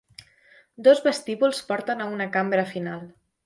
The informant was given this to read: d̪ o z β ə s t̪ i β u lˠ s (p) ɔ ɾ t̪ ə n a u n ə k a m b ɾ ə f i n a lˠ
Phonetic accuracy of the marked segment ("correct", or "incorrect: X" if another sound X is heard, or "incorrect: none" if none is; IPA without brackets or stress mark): correct